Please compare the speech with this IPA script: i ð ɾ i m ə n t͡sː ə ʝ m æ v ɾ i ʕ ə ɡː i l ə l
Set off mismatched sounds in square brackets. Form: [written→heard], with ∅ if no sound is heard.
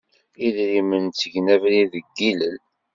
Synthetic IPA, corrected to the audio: i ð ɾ i m ə n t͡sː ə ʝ [m→n] æ v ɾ i [ʕ→ð] ə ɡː i l ə l